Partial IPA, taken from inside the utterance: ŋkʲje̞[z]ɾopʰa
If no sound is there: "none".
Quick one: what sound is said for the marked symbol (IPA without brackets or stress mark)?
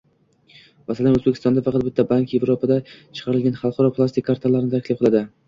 v